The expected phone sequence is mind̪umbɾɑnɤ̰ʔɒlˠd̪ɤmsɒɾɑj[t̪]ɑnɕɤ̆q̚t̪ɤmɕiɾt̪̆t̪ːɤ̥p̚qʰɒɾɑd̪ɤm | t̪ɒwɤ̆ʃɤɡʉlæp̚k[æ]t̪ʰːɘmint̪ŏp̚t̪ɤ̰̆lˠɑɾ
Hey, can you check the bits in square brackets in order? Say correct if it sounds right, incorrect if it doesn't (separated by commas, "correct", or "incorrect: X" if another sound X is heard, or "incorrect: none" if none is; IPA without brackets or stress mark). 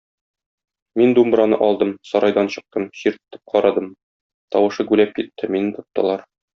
incorrect: d̪, incorrect: i